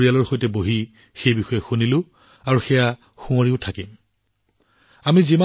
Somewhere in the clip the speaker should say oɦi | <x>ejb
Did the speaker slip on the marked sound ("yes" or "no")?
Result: no